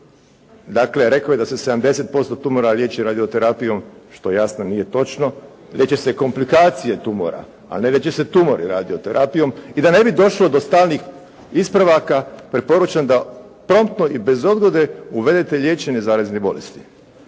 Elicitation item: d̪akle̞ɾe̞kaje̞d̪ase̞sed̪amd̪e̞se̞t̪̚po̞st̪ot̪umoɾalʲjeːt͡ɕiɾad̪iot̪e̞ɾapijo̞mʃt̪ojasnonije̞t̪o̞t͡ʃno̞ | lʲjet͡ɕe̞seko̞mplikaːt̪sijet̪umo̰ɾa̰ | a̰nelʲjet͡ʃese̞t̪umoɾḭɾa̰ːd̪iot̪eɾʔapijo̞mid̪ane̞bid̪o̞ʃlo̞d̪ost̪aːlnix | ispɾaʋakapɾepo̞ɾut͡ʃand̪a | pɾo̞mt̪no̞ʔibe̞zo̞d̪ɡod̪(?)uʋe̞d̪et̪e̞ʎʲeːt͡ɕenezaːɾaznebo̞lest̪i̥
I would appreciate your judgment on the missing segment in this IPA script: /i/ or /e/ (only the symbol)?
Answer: e